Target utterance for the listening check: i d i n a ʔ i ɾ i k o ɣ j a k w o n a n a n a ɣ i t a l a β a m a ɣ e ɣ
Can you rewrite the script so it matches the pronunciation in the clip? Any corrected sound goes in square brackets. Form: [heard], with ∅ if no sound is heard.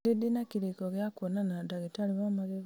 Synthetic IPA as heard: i d i n a [k] i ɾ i k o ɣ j a k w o n a n a [d] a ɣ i t a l [i] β a m a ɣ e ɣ

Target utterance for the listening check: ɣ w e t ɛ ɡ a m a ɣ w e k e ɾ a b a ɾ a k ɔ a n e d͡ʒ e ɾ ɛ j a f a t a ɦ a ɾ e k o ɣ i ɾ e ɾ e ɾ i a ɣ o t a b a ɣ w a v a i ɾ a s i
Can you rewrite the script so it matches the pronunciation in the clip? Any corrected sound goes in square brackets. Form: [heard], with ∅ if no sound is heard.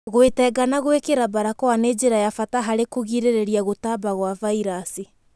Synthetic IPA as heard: ɣ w e t ɛ ɡ a [n] a ɣ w e k e ɾ a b a ɾ a k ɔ a n e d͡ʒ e ɾ [a] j a f a t a ɦ a ɾ e k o ɣ i ɾ e ɾ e ɾ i a ɣ o t a b a ɣ w a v a i ɾ a s i

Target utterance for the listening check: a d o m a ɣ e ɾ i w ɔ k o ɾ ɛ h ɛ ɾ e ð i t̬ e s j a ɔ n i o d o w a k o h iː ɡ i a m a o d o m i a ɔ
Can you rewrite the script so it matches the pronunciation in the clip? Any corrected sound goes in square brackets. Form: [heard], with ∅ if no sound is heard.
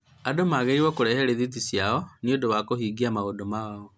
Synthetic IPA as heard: a d o m a ɣ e ɾ i w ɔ k o ɾ ɛ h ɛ ɾ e ð i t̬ [i] s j a ɔ n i o d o w a k o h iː ɡ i a m a o d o m [a] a ɔ

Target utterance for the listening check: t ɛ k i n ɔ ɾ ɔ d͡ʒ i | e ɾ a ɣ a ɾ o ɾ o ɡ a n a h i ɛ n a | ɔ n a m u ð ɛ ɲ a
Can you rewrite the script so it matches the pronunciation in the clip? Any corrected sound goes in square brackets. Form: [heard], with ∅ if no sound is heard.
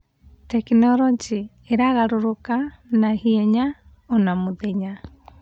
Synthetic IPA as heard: t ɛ k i n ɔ ɾ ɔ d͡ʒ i | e ɾ a ɣ a ɾ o ɾ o [k] a n a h i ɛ [ɲ] a | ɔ n a m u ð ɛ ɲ a

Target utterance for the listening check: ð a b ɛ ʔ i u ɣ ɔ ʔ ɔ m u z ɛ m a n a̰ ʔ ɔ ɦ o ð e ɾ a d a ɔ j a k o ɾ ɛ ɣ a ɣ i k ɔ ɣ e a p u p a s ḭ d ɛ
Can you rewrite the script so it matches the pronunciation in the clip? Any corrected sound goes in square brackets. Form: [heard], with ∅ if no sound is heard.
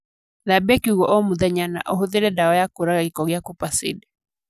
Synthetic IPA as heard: ð a b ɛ [k] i u ɣ ɔ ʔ ɔ m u [ð] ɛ [ɲ] a n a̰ ʔ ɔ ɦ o ð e ɾ [ɛ] d a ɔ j a k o ɾ [a] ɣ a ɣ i k ɔ ɣ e a [k] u p a s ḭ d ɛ

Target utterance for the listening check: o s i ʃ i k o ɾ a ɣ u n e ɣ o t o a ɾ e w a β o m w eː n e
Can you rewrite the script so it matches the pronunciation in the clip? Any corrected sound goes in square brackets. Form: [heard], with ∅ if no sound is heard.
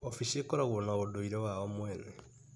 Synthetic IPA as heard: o [f] i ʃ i k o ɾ a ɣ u n [a] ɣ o [d] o [i] ɾ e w a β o m w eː n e

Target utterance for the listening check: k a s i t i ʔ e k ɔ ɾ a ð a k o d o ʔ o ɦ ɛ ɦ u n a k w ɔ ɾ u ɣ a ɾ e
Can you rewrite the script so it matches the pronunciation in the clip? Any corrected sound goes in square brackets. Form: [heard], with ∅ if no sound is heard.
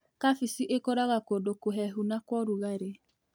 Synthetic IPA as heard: k a [f] i [s] i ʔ e k ɔ ɾ a [ɣ] a k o d o [k] o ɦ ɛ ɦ u n a k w ɔ ɾ u ɣ a ɾ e

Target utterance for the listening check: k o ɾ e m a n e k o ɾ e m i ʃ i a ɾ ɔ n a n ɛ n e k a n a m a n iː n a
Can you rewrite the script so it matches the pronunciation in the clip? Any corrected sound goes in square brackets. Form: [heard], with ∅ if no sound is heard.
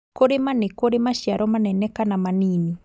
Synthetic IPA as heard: k o ɾ e m a n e k o ɾ e m [a] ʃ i a ɾ ɔ [m] a n ɛ n [ɛ] k a n a m a n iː n [i]

